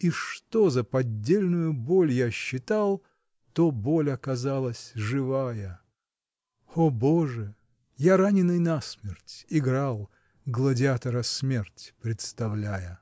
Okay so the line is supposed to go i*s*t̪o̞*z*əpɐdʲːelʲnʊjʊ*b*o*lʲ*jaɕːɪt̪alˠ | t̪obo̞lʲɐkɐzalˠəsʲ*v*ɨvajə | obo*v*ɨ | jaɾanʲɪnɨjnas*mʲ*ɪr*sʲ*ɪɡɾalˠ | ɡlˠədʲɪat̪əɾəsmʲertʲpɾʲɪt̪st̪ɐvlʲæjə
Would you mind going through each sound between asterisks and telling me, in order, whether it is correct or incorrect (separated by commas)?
incorrect, correct, correct, correct, incorrect, incorrect, correct, incorrect